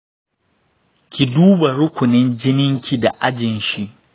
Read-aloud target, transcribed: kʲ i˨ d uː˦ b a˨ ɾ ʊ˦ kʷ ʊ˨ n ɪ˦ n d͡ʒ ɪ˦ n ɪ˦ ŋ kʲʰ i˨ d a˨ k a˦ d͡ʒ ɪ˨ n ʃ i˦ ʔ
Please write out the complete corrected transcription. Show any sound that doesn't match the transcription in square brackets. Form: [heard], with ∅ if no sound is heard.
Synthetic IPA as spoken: kʲ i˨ d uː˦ b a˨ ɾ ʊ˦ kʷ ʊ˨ n ɪ˦ n d͡ʒ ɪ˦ n ɪ˦ ŋ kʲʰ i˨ d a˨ [ʔ] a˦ d͡ʒ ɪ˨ n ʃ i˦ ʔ